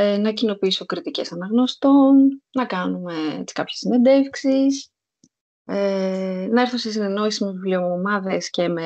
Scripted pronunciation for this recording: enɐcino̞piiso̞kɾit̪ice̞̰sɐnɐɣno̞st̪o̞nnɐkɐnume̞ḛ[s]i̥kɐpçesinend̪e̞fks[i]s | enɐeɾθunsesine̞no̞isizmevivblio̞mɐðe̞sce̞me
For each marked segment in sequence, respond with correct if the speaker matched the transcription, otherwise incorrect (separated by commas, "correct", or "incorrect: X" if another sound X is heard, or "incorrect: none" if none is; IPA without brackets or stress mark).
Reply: incorrect: t͡s, correct